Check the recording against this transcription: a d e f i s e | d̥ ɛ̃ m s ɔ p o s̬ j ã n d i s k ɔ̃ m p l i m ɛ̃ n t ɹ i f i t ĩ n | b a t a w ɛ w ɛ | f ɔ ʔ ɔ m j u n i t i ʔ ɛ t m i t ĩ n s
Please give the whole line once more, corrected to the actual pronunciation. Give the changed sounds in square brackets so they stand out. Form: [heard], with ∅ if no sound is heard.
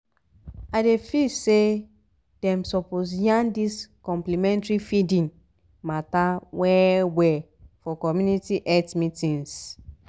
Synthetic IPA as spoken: a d e f i s e | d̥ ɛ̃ m s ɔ p o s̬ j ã n d i s k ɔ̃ m p l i m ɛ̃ n t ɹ i f i [d] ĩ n | [m] a t a w ɛ w ɛ | f ɔ [k] ɔ m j u n i t i ʔ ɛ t m i t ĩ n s